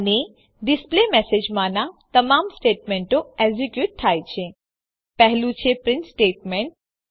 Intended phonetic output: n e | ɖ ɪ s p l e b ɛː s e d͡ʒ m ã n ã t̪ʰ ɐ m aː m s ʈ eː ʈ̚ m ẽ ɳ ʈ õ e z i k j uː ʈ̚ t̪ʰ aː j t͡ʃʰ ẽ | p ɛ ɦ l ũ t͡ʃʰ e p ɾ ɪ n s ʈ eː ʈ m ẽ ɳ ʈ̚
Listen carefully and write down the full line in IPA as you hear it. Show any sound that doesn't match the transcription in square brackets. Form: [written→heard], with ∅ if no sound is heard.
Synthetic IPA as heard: n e | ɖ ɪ s p l e [b→m] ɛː s e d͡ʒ m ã n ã [t̪ʰ→t̪] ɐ m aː m s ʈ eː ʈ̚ m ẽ ɳ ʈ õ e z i k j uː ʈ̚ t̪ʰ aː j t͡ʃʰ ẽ | p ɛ ɦ l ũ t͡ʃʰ e p ɾ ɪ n s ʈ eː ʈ m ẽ ɳ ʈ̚